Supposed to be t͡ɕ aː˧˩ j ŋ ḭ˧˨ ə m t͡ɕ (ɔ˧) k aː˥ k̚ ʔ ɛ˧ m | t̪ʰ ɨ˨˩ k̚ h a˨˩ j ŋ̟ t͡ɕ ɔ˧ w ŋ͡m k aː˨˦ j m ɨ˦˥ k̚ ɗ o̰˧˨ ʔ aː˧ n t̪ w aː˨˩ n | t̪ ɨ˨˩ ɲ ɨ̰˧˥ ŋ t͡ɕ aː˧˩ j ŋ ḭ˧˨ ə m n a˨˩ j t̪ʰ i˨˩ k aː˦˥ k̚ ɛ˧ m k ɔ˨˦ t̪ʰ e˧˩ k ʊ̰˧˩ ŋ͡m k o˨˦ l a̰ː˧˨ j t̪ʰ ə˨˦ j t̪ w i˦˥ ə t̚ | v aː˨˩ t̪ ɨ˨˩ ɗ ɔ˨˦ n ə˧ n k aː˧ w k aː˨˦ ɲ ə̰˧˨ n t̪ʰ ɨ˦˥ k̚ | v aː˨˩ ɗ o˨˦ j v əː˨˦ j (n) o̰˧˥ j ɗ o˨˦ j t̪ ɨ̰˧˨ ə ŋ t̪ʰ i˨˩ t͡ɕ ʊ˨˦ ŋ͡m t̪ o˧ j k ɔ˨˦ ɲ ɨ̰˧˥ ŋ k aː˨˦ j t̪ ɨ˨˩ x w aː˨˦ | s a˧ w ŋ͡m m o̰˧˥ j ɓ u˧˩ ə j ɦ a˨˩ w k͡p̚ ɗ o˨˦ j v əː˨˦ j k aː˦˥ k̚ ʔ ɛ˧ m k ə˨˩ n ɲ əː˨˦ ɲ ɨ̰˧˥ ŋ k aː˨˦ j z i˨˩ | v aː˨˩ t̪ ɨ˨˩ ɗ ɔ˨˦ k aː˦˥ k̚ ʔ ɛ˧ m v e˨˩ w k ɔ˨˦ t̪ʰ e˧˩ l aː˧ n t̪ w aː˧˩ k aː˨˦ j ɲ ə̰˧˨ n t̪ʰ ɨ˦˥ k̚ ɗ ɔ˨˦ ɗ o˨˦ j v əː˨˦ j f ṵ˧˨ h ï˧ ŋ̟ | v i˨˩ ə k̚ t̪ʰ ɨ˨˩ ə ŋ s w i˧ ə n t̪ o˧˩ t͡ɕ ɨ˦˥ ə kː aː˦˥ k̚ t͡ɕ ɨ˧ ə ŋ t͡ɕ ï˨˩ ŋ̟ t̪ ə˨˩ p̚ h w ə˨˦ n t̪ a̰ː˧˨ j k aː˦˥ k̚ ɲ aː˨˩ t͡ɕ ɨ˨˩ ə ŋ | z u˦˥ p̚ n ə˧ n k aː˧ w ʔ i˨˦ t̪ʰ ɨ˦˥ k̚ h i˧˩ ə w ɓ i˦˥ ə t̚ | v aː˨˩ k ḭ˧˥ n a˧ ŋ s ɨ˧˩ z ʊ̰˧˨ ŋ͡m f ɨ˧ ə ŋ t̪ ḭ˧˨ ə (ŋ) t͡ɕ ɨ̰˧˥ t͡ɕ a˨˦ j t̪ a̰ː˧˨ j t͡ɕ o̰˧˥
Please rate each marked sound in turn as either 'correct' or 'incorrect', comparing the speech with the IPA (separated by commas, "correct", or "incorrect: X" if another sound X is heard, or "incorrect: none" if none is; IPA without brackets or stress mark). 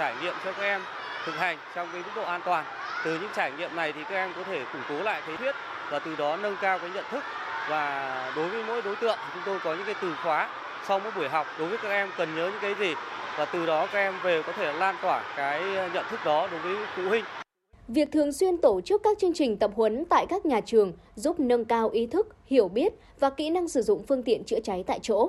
correct, incorrect: m, incorrect: n